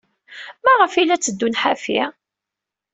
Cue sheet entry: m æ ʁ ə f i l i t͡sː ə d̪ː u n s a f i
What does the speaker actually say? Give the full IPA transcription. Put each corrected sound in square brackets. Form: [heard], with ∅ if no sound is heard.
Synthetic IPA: m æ ʁ ə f i l [æ] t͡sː ə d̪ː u n [ħ] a f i

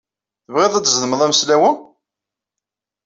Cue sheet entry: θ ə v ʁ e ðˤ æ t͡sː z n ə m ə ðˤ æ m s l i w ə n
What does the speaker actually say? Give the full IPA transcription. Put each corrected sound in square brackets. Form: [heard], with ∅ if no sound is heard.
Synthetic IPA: θ ə v ʁ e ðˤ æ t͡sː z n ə m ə ðˤ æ m s l [æ] w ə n

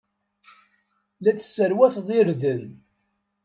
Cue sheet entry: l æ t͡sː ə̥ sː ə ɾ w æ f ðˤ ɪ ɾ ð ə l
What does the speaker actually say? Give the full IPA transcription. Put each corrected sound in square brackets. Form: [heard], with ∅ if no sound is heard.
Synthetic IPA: l æ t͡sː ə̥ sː ə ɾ w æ [θ] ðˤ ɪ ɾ ð ə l

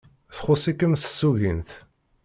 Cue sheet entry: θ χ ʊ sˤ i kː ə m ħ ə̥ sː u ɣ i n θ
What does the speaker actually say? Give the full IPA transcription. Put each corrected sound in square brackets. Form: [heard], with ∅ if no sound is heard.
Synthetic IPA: θ χ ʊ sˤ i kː ə m [θ] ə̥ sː u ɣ i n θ

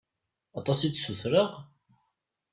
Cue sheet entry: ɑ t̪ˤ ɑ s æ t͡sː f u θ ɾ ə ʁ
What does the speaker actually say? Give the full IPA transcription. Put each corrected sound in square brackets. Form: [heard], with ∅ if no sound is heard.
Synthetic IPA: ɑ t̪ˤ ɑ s [i] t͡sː [s] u θ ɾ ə ʁ

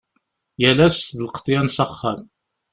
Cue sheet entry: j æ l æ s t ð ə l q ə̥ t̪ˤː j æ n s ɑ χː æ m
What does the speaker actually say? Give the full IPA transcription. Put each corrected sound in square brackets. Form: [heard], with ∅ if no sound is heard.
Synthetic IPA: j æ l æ s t ð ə l q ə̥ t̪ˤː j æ n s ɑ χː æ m

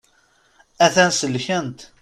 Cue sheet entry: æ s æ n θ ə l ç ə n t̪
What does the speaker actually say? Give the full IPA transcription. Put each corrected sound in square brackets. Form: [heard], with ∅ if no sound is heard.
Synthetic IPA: æ [θ] æ n [s] ə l ç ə n t̪

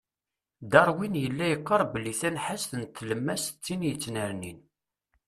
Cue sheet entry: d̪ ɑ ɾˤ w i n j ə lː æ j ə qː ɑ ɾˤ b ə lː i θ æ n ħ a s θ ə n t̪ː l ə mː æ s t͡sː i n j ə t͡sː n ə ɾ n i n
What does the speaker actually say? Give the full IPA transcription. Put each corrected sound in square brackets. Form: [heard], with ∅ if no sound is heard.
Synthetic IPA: d̪ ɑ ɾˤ w i n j ə lː æ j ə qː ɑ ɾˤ b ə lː i θ æ n ħ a s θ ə n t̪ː l ə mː æ s t͡sː i n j ə t͡sː n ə ɾ n i n

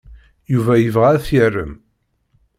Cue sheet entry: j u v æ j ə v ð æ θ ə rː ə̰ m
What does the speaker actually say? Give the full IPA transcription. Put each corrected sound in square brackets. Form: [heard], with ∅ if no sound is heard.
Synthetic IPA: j u v æ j ə v [ʁ] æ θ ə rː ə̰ m

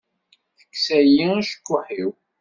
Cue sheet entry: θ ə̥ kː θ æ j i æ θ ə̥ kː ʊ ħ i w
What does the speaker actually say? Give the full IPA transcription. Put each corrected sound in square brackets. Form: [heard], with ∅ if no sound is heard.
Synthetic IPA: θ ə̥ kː [s] æ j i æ [ʃ] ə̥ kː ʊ ħ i w

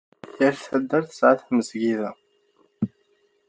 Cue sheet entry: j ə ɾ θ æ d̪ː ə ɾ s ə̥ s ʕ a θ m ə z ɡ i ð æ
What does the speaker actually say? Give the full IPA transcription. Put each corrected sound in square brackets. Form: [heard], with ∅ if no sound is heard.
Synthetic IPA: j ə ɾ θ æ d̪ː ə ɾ [θ] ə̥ s ʕ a θ m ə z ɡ i ð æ

